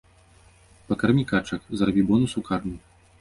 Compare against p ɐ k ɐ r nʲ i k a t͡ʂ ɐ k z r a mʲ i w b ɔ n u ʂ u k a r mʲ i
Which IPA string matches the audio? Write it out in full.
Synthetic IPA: p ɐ k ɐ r mʲ i k a t͡ʂ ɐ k z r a bʲ i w b ɔ n u s u k a r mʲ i